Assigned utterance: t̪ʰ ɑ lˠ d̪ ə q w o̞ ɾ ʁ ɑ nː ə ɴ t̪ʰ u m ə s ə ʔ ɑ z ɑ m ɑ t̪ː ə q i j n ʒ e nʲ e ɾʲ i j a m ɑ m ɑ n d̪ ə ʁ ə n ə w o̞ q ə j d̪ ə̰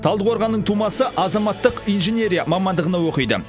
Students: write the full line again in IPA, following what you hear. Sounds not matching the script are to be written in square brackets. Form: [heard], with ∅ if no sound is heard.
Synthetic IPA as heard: t̪ʰ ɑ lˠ d̪ ə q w o̞ ɾ ʁ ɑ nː ə ɴ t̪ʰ u m [ɑ] s ə ʔ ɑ z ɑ m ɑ t̪ː ə q i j n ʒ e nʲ e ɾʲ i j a m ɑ m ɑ n d̪ ə ʁ ə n [ɑ] w o̞ q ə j d̪ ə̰